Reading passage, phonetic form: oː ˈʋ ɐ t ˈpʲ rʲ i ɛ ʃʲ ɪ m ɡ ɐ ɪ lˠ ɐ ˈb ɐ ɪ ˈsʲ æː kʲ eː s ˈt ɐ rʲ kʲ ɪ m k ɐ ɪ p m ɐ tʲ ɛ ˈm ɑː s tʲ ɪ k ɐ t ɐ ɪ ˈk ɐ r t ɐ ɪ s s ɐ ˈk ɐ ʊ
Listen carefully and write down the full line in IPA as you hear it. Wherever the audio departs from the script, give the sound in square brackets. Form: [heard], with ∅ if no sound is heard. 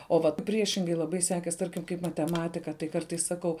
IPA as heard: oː ˈʋ ɐ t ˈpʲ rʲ i ɛ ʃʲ ɪ [ŋ] ɡ ɐ ɪ lˠ ɐ ˈb ɐ ɪ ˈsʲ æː kʲ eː s ˈt ɐ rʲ kʲ ɪ m k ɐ ɪ p m ɐ tʲ ɛ ˈm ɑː [∅] tʲ ɪ k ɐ t ɐ ɪ ˈk ɐ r t ɐ ɪ s s ɐ ˈk ɐ ʊ